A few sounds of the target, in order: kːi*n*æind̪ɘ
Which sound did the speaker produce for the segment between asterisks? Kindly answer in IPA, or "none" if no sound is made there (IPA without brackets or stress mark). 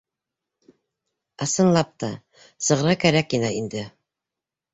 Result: n